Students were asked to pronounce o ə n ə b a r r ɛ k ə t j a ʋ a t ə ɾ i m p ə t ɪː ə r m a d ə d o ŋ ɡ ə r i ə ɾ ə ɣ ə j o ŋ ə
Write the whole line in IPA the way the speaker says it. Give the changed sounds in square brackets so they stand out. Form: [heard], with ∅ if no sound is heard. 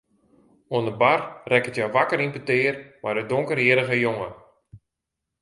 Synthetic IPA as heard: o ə n ə b a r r ɛ k ə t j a ʋ a [k] ə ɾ i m p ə t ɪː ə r m a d ə d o ŋ [k] ə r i ə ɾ ə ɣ ə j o ŋ ə